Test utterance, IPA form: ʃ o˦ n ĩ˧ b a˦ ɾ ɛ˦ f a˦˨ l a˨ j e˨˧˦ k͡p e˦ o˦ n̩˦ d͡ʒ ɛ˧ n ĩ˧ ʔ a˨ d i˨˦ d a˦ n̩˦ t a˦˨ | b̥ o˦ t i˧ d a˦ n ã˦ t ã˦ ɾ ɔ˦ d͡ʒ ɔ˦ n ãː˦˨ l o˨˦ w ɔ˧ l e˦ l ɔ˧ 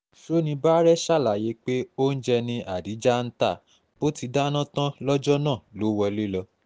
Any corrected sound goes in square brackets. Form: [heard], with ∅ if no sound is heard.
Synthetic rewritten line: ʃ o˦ n ĩ˧ b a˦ ɾ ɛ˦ [ʃ] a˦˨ l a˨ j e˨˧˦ k͡p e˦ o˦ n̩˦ d͡ʒ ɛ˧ n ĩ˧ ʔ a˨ d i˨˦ [d͡ʒ] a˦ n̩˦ t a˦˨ | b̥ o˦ t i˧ d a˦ n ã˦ t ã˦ [l] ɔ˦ d͡ʒ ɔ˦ n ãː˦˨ l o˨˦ w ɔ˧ l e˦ l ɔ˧